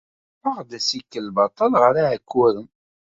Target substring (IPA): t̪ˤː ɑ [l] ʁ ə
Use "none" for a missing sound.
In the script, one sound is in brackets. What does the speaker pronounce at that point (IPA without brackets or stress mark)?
l